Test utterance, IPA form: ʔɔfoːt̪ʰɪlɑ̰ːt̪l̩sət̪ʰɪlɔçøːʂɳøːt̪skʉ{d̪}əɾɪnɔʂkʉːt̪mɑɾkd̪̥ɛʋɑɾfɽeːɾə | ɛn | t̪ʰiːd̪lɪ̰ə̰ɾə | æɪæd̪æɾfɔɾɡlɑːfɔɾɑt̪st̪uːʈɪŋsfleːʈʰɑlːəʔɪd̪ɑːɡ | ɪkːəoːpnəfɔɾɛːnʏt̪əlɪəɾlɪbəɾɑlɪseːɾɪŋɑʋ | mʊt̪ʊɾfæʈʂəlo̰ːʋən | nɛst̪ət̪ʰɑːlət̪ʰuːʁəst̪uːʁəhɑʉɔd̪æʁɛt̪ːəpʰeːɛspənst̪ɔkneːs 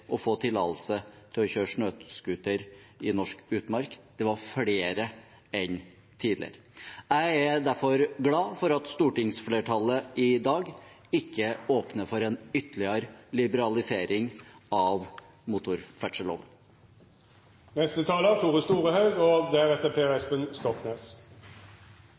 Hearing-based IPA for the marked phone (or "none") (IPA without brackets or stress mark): t̪